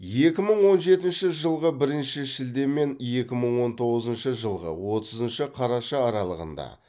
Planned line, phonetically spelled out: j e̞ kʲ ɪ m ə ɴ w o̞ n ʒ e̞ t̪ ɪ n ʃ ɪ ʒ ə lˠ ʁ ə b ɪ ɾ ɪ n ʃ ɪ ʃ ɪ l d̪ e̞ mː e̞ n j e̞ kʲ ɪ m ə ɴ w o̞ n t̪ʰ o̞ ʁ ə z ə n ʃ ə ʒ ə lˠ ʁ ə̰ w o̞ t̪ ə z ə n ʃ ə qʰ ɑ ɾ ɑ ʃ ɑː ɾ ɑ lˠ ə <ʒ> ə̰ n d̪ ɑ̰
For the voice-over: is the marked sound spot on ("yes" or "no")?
no